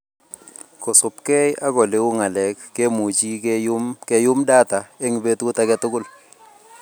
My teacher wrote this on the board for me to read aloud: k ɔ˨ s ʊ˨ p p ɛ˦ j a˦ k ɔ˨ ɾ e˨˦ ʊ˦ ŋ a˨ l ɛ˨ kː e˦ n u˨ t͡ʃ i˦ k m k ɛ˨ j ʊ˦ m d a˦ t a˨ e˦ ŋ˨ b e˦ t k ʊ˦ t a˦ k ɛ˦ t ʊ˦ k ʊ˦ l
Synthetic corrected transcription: k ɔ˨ s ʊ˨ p k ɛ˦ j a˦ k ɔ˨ l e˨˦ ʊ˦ ŋ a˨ l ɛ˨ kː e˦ m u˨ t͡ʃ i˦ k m k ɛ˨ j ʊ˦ m d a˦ t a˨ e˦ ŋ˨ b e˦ t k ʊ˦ t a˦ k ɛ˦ t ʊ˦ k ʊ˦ l